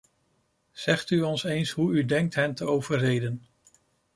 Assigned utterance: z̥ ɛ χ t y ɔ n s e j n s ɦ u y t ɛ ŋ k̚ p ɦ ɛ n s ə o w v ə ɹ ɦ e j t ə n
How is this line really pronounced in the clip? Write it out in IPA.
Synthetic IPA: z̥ ɛ χ t y ɔ n s e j n s ɦ u y d ɛ ŋ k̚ t ɦ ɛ n t ə o w v ə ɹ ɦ e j d ə n